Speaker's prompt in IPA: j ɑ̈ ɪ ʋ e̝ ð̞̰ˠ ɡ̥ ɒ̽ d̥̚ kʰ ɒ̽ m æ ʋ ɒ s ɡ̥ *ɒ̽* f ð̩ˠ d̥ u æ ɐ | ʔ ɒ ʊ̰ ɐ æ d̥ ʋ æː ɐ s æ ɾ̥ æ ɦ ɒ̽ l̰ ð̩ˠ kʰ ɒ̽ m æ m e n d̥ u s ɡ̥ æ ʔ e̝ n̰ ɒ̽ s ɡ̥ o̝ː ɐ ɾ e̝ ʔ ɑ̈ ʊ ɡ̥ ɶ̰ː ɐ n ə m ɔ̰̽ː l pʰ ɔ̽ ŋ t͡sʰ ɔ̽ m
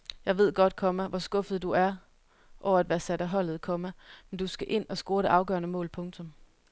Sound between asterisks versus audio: incorrect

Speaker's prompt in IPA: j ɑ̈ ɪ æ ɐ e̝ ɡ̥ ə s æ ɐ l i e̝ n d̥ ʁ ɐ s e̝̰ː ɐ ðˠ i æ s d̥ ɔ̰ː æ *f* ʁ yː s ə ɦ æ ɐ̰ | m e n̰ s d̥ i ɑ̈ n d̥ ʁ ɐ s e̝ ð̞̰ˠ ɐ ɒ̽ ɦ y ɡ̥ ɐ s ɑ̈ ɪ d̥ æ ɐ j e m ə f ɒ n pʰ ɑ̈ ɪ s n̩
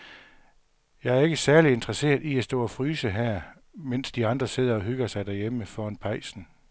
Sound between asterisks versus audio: correct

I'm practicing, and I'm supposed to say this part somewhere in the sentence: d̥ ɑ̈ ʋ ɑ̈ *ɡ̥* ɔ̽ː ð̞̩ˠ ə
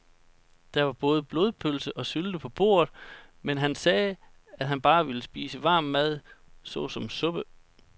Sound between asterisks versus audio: incorrect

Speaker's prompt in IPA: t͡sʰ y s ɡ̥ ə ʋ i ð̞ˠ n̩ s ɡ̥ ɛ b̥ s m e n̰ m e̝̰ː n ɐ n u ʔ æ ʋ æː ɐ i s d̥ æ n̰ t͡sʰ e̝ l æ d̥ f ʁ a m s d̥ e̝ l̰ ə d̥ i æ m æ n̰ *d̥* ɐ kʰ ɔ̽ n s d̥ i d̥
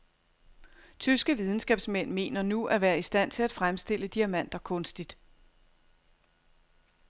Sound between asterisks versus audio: correct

